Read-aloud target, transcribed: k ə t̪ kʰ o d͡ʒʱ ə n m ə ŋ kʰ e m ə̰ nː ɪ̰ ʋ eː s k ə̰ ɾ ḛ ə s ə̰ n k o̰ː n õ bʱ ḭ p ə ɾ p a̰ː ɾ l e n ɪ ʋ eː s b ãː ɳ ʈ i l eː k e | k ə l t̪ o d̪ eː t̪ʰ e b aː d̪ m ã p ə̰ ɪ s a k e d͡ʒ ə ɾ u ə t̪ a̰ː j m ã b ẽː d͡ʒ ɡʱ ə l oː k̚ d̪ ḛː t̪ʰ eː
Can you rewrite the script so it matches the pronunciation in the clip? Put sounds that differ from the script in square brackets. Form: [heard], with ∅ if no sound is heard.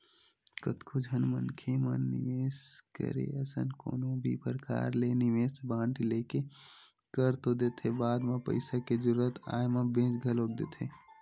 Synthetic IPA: k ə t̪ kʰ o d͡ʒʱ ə n m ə [n] kʰ e m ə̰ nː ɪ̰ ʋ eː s k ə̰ ɾ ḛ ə s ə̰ n k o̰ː n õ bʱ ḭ p ə ɾ [k] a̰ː ɾ l e n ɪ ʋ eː s b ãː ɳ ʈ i l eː k e | k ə [ɾ] t̪ o d̪ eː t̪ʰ e b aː d̪ m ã p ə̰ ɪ s a k e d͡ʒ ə ɾ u ə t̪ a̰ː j m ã b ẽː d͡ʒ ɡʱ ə l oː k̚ d̪ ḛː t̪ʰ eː